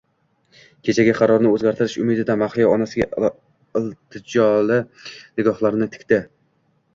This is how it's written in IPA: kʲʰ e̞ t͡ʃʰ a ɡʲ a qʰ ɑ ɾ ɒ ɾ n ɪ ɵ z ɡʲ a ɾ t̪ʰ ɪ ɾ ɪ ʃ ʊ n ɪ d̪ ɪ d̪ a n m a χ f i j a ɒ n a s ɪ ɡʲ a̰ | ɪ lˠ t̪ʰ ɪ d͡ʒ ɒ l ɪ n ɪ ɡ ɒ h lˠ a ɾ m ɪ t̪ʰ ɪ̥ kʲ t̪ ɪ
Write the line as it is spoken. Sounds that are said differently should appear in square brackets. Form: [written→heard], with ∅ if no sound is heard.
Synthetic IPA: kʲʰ e̞ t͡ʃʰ a ɡʲ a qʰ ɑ ɾ ɒ ɾ n ɪ ɵ z ɡʲ a ɾ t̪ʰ ɪ ɾ ɪ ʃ ʊ [n→m] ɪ d̪ ɪ d̪ a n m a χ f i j a ɒ n a s ɪ ɡʲ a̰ | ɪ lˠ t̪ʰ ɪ d͡ʒ ɒ l ɪ n ɪ ɡ ɒ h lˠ a ɾ [m→n] ɪ t̪ʰ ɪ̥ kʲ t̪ ɪ